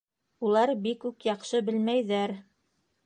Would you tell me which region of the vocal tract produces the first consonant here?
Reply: tongue tip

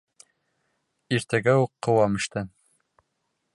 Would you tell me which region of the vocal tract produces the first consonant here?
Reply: tongue tip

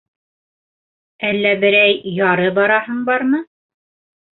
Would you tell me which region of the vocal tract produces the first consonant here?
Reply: tongue tip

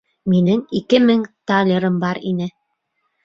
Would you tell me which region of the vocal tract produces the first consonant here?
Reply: lips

